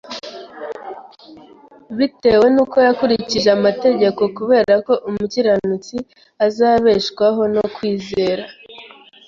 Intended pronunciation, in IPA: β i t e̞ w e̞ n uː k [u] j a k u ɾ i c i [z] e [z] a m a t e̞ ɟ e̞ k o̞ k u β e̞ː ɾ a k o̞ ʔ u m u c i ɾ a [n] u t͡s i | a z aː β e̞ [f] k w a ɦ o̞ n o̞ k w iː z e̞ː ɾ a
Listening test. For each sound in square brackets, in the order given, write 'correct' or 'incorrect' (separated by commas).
incorrect, incorrect, incorrect, correct, incorrect